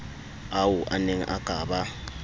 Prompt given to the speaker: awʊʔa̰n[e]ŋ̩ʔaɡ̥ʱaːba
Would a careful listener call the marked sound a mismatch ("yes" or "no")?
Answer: no